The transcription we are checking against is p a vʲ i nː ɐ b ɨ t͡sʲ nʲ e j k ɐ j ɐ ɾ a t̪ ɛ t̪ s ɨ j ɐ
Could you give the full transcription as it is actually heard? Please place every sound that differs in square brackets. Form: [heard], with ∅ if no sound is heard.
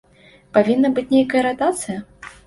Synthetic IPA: p a vʲ i nː ɐ b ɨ t͡sʲ nʲ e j k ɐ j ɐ ɾ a t̪ [a] t̪ s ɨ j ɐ